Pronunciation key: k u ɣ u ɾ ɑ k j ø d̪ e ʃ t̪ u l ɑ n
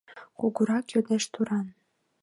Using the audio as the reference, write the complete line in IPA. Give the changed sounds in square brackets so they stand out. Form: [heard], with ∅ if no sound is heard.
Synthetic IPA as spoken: k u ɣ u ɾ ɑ k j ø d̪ e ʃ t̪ u [ɾ] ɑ n